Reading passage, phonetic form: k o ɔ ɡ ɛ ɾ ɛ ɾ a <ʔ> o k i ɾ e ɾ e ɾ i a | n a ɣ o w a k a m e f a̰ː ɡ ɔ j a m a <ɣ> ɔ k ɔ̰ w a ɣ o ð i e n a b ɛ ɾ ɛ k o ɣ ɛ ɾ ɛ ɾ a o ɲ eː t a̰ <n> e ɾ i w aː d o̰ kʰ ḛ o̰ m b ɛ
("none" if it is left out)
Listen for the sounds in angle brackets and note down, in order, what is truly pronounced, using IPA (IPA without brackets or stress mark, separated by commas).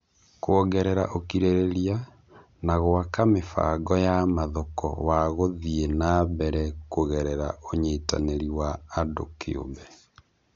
ʔ, ð, n